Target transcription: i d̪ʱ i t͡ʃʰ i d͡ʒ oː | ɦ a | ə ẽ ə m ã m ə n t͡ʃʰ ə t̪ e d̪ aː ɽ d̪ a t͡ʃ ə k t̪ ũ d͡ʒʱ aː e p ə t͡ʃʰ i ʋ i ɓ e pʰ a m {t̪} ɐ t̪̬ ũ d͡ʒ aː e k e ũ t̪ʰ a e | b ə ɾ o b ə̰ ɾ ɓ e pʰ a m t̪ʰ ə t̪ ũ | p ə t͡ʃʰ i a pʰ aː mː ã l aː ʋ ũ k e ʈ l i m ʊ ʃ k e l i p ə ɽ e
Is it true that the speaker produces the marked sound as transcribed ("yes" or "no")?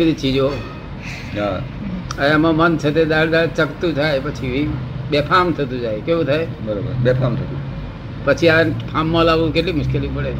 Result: no